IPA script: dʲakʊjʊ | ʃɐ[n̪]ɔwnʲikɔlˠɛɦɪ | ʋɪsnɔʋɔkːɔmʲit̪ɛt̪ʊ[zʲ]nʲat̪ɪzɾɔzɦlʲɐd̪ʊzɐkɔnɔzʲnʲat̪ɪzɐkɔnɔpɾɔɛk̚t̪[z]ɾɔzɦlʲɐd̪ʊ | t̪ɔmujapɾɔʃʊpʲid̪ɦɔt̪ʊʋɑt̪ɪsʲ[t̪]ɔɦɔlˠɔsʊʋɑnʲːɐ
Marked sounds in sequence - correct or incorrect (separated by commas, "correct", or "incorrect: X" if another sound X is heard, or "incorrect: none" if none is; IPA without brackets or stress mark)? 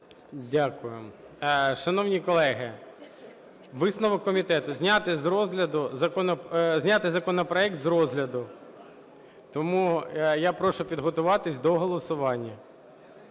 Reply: correct, correct, correct, incorrect: d̪